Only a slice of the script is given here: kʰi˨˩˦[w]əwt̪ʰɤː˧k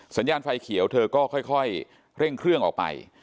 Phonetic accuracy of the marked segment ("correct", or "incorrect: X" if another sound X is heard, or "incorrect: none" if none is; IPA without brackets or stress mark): incorrect: none